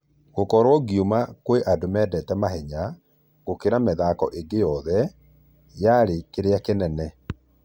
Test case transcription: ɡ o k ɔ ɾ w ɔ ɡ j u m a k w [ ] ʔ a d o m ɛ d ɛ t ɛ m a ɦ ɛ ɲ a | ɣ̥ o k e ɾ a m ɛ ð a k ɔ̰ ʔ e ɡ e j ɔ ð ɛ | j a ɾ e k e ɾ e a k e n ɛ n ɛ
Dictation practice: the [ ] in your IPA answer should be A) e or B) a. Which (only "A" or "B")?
A